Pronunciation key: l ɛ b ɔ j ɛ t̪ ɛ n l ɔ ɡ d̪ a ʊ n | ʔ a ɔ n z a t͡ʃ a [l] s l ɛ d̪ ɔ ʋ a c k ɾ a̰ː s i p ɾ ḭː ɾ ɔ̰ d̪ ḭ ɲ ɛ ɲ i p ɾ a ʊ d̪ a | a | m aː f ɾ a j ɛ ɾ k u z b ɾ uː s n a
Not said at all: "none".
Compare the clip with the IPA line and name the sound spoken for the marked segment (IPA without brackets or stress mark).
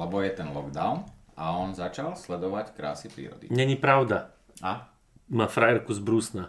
l